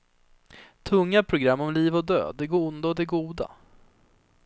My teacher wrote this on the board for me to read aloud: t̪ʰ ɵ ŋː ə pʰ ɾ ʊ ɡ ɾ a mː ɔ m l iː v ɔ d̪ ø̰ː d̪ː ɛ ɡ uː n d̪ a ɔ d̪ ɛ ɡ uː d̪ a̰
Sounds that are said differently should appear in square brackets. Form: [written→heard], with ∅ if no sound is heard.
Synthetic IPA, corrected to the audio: t̪ʰ ɵ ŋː [ə→a] pʰ ɾ ʊ ɡ ɾ a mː ɔ m l iː v ɔ d̪ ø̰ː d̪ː ɛ ɡ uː n d̪ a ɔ d̪ ɛ ɡ uː d̪ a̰